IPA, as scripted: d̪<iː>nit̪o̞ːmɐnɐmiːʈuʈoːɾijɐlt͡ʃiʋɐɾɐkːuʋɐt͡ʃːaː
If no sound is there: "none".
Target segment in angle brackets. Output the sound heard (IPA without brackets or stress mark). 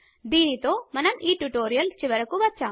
iː